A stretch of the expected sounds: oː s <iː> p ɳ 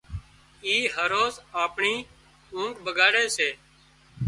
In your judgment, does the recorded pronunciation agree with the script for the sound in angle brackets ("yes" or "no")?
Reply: no